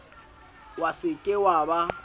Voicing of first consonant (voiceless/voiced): voiced